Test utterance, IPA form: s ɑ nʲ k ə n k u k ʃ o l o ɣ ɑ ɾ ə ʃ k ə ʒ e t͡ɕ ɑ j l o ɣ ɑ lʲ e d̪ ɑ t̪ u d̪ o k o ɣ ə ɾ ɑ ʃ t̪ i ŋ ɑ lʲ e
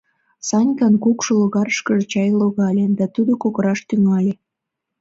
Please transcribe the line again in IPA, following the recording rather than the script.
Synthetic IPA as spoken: s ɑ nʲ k ɑ n k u k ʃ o l o ɣ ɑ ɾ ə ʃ k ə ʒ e t͡ɕ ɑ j l o ɣ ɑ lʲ e d̪ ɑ t̪ u d̪ o k o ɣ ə ɾ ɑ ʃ t̪ y ŋ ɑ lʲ e